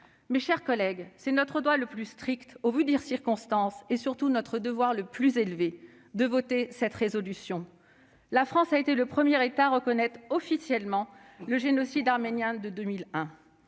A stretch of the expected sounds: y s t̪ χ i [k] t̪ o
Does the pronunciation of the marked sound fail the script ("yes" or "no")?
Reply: no